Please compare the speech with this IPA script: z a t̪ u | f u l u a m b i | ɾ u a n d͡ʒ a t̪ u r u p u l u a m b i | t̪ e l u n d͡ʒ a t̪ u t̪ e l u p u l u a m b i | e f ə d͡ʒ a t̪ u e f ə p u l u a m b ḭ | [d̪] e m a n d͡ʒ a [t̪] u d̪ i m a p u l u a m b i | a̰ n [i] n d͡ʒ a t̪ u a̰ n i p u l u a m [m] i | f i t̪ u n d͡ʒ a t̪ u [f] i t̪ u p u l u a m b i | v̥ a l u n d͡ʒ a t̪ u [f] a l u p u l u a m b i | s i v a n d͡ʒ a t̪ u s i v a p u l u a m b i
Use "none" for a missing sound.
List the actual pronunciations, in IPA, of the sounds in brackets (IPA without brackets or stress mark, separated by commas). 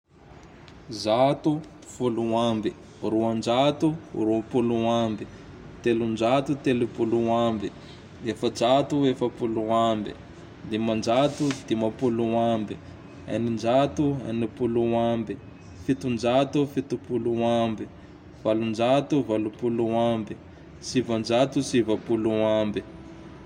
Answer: d̪, t̪, i, b, f, v